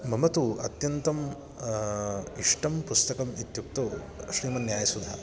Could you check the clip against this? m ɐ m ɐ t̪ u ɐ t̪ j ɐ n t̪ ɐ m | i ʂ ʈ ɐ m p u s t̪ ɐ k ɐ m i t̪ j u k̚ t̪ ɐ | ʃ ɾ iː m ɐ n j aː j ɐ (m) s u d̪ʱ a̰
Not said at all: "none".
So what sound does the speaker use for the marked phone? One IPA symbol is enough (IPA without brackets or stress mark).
none